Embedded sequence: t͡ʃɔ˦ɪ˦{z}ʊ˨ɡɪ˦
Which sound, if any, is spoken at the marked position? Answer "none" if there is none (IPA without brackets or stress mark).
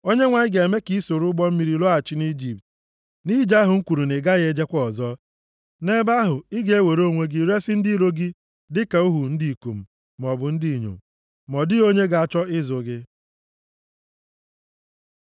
z